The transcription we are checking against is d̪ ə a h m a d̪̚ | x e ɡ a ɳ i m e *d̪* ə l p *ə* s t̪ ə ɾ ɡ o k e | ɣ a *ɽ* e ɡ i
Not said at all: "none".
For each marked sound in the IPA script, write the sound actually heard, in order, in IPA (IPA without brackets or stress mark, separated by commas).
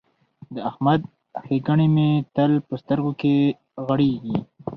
t̪, ə, ɽ